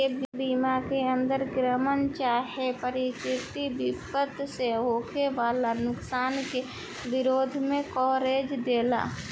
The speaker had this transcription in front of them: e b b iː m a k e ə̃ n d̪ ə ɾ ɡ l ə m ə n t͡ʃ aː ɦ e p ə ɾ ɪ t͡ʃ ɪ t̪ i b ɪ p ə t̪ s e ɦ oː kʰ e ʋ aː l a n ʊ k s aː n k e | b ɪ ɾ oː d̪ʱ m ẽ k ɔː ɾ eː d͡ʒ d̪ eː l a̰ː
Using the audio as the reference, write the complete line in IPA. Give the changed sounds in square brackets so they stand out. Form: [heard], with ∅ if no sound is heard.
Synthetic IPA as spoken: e b b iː m a k e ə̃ n d̪ ə ɾ ɡ [ɾ] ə m ə n t͡ʃ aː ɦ e p ə ɾ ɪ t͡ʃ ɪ t̪ i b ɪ p ə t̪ s e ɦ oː kʰ e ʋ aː l a n ʊ k s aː n k e | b ɪ ɾ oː d̪ʱ m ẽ k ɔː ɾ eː d͡ʒ d̪ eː l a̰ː